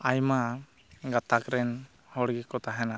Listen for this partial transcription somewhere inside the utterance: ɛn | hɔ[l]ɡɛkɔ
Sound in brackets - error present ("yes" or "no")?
yes